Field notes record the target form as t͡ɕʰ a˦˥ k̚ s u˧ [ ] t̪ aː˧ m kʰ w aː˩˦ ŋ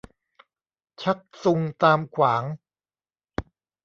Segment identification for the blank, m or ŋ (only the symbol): ŋ